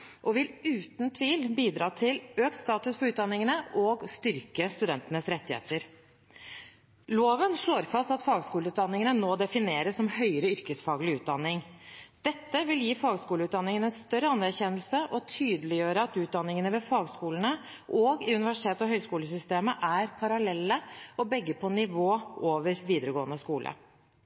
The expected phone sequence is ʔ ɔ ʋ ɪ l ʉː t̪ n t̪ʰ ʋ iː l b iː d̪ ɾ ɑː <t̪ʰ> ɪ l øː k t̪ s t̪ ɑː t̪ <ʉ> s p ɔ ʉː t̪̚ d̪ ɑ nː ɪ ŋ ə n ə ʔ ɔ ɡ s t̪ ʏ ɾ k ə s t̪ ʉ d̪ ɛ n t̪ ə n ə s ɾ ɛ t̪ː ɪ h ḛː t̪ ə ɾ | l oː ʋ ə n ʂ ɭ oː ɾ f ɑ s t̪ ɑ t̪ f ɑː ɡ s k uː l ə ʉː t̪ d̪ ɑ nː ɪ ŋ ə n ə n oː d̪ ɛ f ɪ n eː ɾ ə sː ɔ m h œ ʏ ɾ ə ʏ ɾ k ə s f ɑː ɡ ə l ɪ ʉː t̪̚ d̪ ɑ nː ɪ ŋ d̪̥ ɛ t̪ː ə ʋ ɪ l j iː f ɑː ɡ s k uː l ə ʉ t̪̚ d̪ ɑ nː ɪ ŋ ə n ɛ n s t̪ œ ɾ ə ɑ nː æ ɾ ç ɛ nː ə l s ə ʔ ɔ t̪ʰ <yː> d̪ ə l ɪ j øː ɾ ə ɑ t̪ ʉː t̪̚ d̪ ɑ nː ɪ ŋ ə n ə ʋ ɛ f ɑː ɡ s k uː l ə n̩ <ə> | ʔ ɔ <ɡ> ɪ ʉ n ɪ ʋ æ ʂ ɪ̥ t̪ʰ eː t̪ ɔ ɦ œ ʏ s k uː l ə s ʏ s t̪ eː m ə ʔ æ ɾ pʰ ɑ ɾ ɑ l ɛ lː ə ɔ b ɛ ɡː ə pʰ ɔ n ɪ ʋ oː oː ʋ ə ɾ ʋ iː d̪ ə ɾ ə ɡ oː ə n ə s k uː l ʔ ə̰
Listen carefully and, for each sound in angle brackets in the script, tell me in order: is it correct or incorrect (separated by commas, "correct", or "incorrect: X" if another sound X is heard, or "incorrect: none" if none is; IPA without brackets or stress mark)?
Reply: correct, correct, correct, correct, correct